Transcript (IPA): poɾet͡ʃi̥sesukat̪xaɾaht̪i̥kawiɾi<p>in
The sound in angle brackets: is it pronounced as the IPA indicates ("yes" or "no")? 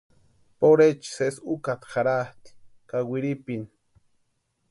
yes